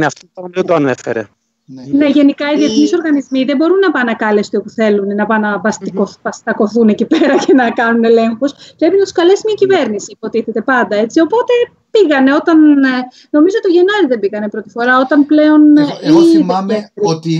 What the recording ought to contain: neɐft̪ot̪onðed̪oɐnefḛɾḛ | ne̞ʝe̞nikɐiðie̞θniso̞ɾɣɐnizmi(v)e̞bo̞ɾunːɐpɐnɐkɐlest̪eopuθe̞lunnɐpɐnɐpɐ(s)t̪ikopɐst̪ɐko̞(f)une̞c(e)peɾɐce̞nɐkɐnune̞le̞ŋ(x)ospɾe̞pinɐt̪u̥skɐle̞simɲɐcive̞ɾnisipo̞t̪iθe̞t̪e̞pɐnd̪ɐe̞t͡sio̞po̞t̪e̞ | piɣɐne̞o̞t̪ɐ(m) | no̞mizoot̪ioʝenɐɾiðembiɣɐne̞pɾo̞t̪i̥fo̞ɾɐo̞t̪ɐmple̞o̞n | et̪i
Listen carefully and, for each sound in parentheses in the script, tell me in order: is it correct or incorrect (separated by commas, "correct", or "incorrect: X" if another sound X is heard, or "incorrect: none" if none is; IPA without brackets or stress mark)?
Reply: incorrect: ð, correct, incorrect: θ, incorrect: i, correct, incorrect: n